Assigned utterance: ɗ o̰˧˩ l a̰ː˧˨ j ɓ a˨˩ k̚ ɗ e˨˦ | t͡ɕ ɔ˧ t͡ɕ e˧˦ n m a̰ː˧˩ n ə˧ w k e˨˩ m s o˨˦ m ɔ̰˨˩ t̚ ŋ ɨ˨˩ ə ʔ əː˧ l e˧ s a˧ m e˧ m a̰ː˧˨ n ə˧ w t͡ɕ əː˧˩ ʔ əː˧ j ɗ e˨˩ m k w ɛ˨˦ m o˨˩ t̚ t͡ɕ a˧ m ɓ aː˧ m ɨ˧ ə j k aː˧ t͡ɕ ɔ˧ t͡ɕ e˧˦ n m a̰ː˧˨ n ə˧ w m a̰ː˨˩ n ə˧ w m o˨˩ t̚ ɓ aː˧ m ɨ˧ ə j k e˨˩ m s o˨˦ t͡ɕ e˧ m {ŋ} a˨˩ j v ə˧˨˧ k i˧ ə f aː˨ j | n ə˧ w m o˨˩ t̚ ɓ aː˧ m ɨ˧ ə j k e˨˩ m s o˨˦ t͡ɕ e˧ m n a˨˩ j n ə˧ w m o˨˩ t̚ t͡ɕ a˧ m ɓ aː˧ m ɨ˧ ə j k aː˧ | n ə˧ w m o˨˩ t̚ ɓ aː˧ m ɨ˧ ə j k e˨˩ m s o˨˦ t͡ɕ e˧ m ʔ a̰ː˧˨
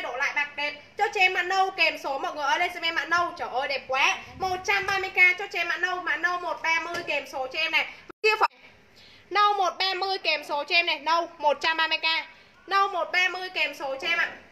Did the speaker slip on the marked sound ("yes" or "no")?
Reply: yes